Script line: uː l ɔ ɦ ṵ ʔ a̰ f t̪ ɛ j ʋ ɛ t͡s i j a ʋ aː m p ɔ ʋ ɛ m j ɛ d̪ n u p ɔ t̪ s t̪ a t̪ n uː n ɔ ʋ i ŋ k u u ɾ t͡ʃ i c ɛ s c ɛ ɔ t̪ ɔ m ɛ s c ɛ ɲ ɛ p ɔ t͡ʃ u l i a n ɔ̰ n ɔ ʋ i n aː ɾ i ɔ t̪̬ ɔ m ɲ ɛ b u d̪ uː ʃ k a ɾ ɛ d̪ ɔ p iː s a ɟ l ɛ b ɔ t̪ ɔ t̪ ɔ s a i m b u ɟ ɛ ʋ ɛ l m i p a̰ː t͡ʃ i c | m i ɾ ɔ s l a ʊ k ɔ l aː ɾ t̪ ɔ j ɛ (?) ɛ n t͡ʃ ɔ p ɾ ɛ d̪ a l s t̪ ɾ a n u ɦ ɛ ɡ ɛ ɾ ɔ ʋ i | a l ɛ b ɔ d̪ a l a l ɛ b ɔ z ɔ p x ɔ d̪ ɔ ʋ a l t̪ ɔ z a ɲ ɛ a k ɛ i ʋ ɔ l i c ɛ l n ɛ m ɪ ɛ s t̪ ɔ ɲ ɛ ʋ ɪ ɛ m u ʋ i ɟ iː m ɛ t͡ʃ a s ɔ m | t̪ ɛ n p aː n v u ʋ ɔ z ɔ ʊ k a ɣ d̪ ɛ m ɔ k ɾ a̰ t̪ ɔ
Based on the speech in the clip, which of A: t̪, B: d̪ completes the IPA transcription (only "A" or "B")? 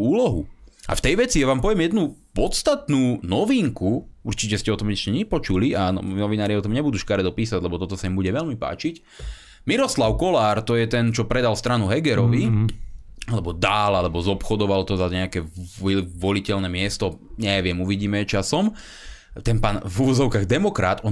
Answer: A